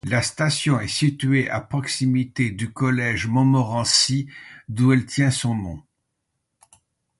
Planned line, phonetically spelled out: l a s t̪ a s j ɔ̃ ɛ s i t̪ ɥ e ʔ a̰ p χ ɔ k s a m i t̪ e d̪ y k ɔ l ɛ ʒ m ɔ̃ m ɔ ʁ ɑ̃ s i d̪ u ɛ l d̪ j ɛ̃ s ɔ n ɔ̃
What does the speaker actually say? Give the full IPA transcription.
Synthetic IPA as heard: l a s t̪ a s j ɔ̃ ɛ s i t̪ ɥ e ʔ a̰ p χ ɔ k s i m i t̪ e d̪ y k ɔ l ɛ ʒ m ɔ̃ m ɔ ʁ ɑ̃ s i d̪ u ɛ l t̪ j ɛ̃ s ɔ̃ n ɔ̃